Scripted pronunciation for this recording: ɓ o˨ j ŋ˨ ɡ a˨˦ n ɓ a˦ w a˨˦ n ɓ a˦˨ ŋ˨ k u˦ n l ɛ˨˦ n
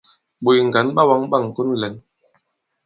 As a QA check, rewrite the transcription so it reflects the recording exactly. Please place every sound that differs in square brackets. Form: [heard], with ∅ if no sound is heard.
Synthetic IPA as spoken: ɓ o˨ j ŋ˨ ɡ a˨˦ n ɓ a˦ w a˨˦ [ŋ] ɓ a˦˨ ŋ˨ k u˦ n l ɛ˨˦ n

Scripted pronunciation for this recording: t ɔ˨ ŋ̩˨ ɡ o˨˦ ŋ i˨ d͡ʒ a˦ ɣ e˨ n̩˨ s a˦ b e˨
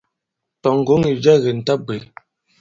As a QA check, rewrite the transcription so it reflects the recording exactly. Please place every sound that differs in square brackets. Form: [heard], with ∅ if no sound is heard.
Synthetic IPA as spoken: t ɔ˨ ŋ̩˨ ɡ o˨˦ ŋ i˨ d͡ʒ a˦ ɣ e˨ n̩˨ [t] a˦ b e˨

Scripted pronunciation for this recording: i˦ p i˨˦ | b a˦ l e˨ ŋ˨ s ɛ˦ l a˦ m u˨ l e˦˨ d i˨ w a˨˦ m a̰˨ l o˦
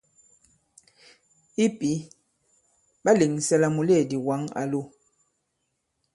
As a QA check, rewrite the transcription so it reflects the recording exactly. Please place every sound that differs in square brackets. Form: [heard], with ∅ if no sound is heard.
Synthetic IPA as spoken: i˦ p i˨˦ | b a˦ l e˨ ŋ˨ s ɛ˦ l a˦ m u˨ l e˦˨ d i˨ w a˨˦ [ŋ] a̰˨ l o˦

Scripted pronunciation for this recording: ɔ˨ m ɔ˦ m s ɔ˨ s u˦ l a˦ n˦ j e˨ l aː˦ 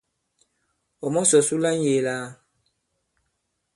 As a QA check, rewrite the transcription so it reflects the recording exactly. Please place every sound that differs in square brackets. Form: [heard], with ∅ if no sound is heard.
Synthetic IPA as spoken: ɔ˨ m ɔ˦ [∅] s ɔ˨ s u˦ l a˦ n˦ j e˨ l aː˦

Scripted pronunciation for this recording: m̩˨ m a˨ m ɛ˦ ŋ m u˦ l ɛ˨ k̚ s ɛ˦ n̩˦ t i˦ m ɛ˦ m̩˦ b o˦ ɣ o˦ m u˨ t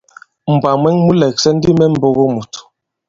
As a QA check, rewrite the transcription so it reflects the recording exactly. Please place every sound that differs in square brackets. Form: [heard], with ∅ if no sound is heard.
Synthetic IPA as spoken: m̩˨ [b] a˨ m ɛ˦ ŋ m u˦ l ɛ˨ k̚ s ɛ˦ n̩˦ [d] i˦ m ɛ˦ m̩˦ b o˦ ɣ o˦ m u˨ t

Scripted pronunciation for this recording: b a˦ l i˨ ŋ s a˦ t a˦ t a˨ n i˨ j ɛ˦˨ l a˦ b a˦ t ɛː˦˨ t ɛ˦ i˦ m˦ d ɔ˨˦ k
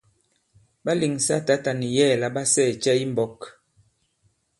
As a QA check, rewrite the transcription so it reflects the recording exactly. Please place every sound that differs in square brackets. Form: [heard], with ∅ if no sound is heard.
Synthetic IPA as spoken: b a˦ l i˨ ŋ s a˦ t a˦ t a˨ n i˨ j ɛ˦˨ l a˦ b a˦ [s] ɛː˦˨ [t͡ʃ] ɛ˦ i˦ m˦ [b] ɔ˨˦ k

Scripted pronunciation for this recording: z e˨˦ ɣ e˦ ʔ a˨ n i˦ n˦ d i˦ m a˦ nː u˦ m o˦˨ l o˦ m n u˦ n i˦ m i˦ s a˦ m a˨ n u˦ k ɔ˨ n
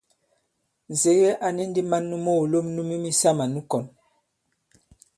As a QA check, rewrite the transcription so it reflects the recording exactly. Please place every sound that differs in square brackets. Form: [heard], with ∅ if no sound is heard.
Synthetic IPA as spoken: z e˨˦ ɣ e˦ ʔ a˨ n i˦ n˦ d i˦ m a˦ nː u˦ m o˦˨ l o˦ m n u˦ [m] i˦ m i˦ s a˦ m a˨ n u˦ k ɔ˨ n

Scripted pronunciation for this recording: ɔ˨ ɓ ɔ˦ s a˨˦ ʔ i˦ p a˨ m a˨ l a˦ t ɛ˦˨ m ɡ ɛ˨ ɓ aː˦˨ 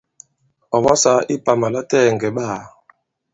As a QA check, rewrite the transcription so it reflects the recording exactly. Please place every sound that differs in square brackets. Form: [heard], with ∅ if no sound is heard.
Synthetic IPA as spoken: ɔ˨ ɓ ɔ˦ s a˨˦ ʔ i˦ p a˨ m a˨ l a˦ t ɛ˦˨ [ŋ] ɡ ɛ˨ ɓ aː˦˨

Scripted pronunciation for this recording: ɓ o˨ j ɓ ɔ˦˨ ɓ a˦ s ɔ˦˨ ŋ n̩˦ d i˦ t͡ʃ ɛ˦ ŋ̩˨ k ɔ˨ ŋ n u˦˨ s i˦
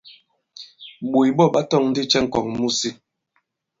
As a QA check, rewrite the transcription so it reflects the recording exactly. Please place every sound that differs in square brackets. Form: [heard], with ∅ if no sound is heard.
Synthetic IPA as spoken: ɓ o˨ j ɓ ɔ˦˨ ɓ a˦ [t] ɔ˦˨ ŋ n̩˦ d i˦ t͡ʃ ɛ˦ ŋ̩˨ k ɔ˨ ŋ [m] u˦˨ s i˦

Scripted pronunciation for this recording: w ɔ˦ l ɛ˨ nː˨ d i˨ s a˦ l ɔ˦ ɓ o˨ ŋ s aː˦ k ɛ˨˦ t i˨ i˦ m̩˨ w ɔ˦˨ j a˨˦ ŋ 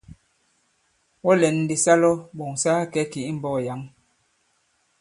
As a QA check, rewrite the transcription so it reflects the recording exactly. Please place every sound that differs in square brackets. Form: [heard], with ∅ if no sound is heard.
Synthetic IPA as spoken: w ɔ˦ l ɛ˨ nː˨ d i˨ s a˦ l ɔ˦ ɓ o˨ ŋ s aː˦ k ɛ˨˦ [k] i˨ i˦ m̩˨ [b] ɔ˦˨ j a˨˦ ŋ

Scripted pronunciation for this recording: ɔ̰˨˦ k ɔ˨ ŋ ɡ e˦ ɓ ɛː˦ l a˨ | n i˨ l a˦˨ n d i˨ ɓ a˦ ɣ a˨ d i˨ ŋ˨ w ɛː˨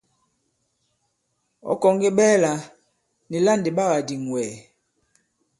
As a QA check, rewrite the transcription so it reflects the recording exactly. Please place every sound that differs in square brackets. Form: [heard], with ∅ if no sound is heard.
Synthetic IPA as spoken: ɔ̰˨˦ k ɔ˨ ŋ ɡ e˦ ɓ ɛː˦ l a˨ | n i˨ l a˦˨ n d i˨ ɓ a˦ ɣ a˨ d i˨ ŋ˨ w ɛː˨

